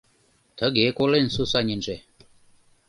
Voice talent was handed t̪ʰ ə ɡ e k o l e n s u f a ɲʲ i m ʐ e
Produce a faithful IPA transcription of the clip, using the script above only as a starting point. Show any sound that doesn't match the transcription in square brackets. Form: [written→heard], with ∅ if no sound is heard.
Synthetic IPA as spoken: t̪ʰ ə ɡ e k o l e n s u [f→s] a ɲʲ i [m→n] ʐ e